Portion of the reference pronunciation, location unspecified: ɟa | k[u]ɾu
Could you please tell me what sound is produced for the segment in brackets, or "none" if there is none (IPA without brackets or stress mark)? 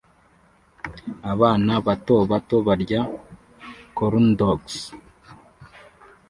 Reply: o